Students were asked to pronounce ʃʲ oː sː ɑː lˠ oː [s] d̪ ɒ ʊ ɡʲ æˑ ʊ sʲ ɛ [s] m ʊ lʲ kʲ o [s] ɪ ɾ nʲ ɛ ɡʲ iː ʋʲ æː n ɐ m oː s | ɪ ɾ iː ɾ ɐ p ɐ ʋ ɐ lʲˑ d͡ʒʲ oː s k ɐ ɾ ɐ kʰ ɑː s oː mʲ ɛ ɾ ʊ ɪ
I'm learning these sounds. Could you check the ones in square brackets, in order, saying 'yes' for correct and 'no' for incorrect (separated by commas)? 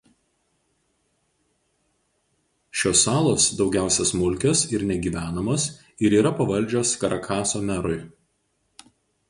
yes, yes, yes